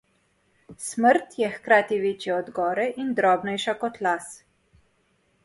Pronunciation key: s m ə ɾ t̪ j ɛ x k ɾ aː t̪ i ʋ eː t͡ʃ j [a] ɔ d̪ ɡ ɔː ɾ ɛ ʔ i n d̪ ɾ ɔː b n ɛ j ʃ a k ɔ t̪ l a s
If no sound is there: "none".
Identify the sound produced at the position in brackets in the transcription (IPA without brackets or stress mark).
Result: ɛ